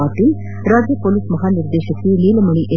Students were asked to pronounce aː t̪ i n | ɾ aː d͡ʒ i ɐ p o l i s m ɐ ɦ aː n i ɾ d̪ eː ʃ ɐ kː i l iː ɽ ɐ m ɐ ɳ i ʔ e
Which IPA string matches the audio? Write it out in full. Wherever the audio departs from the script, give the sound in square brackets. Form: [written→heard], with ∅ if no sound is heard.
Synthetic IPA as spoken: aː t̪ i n | ɾ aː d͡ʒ [i→j] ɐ p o l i s m ɐ ɦ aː n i ɾ d̪ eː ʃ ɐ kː i l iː [ɽ→l] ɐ m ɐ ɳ i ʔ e